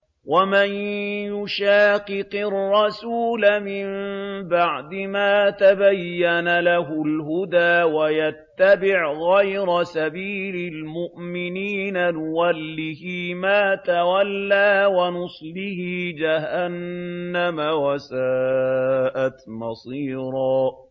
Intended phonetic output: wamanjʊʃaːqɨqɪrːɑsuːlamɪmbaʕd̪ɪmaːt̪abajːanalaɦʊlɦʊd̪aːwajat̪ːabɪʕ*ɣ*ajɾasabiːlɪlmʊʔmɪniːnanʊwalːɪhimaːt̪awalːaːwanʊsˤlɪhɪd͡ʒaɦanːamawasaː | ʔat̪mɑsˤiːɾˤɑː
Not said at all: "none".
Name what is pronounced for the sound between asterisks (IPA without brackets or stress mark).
ɣ